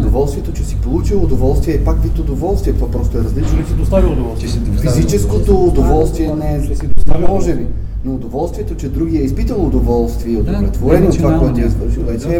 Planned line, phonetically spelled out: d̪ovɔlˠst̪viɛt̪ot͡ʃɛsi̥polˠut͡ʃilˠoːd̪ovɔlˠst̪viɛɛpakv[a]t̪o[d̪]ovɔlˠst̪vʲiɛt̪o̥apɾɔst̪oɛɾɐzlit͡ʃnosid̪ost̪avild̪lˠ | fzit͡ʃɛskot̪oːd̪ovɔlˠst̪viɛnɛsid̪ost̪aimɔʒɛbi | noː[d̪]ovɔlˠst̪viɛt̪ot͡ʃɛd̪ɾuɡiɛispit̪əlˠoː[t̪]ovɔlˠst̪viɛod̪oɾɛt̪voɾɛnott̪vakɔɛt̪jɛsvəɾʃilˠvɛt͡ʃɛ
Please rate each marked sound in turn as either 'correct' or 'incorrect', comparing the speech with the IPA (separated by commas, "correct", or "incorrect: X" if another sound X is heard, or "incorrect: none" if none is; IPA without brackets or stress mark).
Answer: incorrect: i, correct, correct, incorrect: d̪